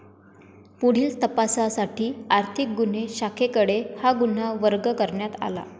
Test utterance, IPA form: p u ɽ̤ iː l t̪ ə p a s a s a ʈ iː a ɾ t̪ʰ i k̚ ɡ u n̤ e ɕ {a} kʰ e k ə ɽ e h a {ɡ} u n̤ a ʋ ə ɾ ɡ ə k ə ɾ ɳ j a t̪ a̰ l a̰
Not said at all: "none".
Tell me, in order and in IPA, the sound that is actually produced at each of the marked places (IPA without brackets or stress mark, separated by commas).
a, ɡ